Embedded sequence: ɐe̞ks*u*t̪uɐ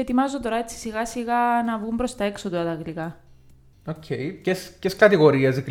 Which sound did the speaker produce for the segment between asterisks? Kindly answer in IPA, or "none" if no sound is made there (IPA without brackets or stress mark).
o